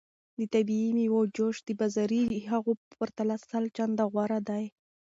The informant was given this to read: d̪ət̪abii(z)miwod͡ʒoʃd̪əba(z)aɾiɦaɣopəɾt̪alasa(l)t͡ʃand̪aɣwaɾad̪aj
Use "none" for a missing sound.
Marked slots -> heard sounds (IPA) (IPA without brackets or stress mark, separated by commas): none, z, l